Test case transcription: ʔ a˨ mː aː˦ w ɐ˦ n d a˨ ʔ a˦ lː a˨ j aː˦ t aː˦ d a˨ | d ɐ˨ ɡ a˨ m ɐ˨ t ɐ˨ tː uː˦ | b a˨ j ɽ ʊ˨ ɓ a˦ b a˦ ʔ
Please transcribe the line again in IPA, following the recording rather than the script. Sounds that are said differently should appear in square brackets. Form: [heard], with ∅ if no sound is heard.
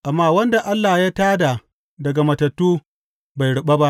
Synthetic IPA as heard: ʔ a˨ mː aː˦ w ɐ˦ n d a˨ ʔ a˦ lː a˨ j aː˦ t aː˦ d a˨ | d ɐ˨ ɡ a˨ m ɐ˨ t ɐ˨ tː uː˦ | b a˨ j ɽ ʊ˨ ɓ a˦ b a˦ ʔ